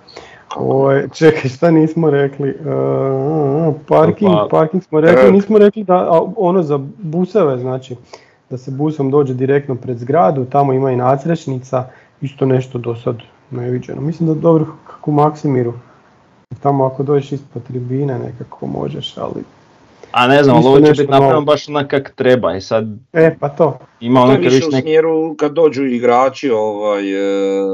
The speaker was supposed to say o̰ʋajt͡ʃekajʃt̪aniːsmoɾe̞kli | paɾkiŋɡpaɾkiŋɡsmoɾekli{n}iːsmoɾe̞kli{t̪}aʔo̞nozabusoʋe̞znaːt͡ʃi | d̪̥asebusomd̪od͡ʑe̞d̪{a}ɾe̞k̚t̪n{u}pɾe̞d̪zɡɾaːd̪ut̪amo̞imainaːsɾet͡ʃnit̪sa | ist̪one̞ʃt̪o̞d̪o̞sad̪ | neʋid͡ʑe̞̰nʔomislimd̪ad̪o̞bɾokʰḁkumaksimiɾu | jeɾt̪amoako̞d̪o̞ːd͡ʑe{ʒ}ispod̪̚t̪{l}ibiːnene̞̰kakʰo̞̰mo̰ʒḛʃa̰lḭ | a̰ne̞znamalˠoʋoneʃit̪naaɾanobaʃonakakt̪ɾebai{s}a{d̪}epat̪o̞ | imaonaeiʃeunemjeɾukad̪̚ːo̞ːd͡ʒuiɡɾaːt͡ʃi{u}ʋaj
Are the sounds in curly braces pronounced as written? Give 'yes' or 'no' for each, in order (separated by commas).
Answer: yes, no, no, no, no, no, yes, yes, no